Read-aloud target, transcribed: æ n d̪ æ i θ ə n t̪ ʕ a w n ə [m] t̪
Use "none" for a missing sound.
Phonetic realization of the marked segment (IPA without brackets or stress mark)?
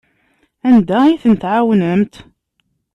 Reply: m